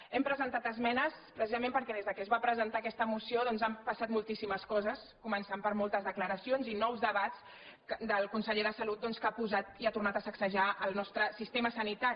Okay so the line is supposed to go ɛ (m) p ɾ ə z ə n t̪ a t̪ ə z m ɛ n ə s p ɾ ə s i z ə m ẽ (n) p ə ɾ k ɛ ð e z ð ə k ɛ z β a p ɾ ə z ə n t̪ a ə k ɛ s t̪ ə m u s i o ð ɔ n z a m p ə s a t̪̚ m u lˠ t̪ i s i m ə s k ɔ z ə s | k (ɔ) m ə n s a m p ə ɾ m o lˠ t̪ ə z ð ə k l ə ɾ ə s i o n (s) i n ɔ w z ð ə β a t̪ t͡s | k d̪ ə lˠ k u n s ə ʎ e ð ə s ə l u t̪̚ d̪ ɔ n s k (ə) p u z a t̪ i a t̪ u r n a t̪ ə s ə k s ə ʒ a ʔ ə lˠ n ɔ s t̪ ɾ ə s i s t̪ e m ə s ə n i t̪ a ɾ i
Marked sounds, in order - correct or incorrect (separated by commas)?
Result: correct, incorrect, incorrect, incorrect, incorrect